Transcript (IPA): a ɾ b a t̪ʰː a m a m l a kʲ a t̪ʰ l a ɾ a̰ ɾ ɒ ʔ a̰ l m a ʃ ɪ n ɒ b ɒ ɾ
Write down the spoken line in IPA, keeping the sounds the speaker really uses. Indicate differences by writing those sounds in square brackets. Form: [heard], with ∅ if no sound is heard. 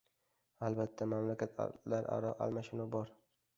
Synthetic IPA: a [l] b a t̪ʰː a m a m l a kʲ a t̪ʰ l a ɾ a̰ ɾ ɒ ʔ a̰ l m a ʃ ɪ n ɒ b ɒ ɾ